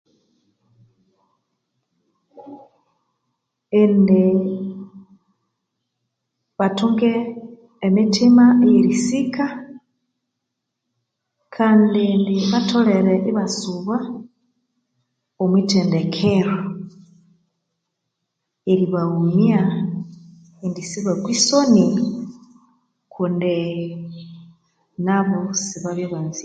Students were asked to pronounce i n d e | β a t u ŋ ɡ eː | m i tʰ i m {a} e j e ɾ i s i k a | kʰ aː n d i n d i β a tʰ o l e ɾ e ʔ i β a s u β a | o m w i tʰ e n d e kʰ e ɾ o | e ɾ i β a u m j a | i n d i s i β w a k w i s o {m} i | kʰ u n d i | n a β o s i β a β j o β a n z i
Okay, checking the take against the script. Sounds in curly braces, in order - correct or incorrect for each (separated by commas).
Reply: correct, incorrect